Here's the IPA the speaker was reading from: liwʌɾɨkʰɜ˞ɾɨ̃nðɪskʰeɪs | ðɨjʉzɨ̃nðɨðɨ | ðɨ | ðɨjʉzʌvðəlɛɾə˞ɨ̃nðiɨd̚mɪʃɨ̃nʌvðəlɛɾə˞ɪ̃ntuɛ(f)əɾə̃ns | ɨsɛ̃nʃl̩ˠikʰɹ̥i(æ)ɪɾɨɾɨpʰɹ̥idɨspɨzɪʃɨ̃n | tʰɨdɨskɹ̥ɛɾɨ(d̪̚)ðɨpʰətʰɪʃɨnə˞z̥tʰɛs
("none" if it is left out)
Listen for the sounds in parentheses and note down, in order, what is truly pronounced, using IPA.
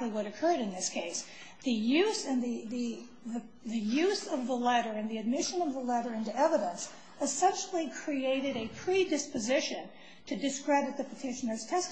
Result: v, e, t̪̚

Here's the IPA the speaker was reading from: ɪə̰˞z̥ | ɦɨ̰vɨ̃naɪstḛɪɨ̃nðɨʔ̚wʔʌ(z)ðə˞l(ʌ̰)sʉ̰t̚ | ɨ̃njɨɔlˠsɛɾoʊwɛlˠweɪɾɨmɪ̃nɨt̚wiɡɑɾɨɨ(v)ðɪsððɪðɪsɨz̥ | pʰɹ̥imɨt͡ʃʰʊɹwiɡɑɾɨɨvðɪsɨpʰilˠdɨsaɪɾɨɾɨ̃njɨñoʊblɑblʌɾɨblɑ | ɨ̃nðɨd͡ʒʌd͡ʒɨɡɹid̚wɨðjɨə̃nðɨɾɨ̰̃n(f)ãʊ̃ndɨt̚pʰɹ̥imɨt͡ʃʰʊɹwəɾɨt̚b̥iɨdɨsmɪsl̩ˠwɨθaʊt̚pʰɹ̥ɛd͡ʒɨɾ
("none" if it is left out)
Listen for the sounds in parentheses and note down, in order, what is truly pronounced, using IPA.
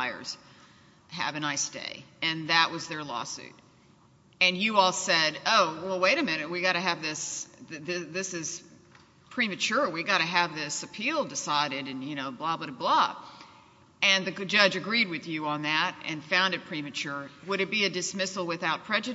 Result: z, ɔ̰, v, f

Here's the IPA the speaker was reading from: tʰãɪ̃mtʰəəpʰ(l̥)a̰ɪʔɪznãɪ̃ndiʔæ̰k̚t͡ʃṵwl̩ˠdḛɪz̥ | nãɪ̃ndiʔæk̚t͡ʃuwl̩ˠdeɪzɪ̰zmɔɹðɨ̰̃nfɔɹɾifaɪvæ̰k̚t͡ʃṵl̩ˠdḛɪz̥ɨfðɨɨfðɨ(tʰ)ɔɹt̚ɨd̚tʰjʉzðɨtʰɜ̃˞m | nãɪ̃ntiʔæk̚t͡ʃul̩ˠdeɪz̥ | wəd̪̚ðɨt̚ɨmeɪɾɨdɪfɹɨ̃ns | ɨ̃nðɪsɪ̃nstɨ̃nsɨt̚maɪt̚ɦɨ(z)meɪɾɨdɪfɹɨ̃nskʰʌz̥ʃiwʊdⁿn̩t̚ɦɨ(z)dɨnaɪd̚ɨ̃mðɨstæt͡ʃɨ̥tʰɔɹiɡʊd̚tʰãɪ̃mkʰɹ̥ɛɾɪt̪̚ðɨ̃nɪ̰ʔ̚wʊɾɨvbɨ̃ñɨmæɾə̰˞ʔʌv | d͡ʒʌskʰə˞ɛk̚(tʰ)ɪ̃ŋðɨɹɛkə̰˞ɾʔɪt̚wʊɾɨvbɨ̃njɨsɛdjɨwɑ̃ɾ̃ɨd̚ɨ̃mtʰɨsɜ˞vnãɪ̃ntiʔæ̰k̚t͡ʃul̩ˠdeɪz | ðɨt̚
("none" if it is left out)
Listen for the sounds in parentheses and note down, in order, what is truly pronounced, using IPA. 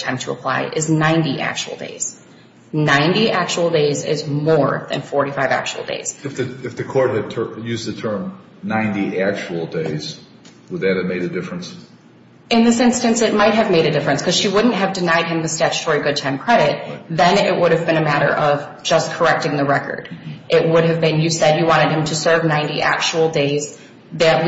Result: l̥, kʰ, v, v, t

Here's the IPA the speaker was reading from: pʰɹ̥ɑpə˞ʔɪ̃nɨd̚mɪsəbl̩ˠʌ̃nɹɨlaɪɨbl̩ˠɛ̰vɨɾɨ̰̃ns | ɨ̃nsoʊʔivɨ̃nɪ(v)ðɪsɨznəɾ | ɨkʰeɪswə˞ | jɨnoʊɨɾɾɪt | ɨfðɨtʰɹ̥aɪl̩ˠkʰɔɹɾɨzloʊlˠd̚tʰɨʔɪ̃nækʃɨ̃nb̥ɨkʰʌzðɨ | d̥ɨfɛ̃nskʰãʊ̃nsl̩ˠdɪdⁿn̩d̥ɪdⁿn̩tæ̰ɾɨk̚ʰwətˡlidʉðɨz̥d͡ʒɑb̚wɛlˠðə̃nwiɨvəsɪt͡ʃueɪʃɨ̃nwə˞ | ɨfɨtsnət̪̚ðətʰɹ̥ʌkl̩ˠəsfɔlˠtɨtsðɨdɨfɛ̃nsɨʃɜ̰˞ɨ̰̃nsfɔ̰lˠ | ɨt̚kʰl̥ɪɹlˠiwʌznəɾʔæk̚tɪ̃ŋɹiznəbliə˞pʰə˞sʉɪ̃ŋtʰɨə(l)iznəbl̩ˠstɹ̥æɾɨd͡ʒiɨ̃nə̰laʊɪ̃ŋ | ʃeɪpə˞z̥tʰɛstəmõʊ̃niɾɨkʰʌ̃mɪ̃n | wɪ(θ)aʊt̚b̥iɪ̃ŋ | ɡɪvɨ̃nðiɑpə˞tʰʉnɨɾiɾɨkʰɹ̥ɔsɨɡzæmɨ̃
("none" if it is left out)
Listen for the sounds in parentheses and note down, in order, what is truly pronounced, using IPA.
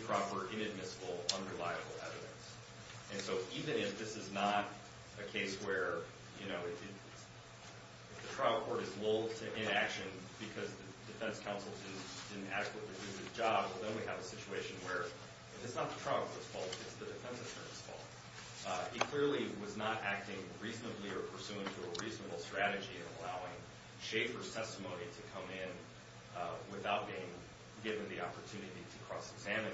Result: f, ɹ, θ

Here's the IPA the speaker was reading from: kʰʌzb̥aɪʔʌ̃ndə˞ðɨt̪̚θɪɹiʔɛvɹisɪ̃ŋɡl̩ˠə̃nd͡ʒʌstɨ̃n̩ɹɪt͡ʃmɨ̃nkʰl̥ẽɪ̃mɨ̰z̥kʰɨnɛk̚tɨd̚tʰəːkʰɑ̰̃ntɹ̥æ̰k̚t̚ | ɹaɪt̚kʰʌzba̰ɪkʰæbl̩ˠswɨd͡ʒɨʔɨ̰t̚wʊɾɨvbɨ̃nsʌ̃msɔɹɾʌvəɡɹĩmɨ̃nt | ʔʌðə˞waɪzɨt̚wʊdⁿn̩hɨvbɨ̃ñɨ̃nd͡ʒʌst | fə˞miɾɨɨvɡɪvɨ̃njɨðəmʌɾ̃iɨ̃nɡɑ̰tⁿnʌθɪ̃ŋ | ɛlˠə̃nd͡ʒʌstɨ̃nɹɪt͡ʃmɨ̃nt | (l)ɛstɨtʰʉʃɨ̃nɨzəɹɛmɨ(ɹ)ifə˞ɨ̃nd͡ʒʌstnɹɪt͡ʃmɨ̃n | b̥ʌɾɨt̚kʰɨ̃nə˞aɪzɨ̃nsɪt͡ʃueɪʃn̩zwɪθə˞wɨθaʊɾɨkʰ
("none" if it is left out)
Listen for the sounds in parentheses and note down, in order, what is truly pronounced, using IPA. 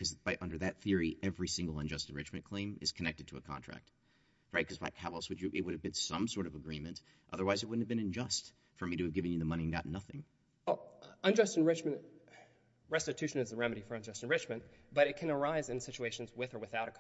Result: ɹ, ɾ

